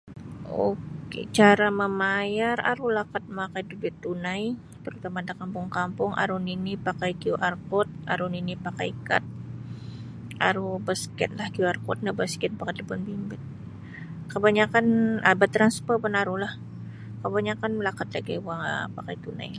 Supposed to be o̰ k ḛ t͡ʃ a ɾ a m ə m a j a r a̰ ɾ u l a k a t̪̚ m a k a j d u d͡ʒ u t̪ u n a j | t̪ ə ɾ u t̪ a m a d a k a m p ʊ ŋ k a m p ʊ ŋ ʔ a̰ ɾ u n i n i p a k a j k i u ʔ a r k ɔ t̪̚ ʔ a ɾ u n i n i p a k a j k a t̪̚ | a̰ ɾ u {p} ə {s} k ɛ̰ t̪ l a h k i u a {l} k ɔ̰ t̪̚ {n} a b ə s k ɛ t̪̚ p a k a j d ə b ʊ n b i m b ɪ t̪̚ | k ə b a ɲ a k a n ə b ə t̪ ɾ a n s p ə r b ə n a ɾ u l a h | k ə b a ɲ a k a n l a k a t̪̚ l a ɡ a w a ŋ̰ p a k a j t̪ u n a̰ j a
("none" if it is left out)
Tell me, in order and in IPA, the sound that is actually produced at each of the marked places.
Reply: b, s, r, n

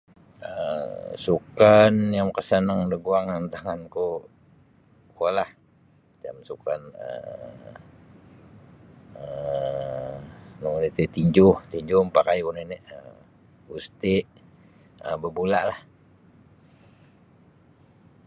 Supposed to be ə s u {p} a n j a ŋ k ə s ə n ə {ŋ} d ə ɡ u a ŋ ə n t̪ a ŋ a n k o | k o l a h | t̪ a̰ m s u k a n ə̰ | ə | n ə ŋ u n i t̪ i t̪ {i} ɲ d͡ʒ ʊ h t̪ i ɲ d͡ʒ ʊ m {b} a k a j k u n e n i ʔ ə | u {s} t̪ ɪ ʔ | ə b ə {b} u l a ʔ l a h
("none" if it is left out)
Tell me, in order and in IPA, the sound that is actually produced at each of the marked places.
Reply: k, ŋ, i, p, s, b

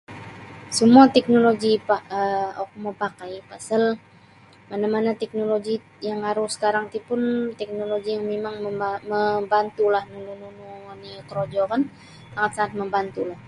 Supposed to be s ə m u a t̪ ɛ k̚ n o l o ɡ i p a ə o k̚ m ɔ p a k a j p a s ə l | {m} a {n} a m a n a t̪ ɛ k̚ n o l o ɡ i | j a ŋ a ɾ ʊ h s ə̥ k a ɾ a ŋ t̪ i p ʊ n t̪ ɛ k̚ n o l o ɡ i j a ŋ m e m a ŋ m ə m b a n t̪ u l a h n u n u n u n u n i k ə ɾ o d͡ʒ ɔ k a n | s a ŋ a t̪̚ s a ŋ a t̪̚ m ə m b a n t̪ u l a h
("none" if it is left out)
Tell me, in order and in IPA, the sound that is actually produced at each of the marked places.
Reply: m, n

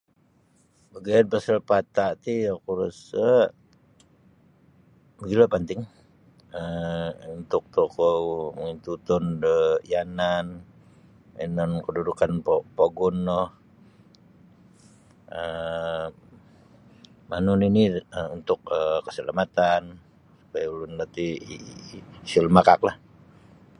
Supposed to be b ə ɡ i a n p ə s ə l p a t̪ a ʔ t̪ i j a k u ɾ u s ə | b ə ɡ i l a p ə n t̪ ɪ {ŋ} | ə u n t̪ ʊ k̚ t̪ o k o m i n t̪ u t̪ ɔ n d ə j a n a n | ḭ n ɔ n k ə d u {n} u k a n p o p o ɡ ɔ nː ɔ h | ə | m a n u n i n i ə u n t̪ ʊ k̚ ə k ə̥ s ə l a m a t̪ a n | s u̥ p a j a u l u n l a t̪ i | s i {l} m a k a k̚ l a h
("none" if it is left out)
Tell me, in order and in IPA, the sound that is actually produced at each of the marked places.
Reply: ŋ, d, l

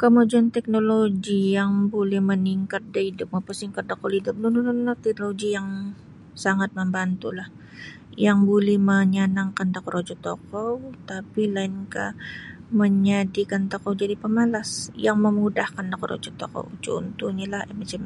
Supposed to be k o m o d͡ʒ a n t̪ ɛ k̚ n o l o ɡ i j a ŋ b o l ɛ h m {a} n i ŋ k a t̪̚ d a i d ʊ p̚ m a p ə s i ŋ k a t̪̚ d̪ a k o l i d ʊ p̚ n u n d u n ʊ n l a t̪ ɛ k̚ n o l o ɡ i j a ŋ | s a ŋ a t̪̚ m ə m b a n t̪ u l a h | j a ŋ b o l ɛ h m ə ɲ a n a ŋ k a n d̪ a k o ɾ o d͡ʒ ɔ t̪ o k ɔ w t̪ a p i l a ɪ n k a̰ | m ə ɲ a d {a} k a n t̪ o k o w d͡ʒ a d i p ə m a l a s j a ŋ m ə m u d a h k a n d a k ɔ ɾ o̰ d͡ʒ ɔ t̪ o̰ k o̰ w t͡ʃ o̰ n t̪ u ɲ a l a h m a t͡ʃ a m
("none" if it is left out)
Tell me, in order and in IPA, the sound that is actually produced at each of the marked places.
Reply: ə, i

